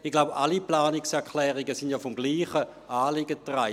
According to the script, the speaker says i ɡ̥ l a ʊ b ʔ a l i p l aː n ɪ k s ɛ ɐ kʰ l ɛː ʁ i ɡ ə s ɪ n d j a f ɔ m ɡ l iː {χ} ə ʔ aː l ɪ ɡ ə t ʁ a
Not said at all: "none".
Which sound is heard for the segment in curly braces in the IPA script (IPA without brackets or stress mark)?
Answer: χ